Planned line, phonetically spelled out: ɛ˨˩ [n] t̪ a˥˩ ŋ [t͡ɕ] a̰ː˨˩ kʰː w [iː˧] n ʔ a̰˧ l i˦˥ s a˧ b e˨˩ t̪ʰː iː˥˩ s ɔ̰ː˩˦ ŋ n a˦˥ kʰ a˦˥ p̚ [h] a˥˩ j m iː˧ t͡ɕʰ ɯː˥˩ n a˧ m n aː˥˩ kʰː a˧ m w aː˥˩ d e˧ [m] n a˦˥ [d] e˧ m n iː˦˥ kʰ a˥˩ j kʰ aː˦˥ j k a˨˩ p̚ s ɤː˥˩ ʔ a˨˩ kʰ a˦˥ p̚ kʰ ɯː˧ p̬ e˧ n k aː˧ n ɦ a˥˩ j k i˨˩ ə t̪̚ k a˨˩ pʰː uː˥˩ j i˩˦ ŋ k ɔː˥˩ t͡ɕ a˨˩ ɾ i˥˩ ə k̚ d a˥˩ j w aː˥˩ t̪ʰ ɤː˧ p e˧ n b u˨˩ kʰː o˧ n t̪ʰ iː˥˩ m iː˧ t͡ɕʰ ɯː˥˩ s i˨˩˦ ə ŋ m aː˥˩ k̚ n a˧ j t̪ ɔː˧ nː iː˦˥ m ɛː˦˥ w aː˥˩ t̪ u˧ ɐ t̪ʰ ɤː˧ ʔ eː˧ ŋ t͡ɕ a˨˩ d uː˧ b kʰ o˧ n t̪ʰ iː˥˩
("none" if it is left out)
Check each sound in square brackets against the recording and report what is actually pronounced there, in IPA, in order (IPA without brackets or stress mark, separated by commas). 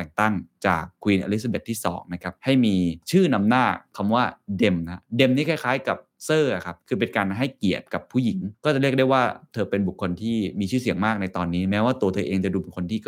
ŋ, t͡ɕ, iː˧, h, m, d